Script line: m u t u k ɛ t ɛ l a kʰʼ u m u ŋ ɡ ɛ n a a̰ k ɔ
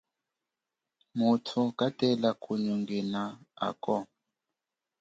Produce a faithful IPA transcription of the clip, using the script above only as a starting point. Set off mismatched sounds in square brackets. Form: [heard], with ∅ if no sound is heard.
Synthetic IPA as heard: m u [tʰ] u k [a] t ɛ l a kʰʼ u [ɲ] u ŋ ɡ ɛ n a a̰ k ɔ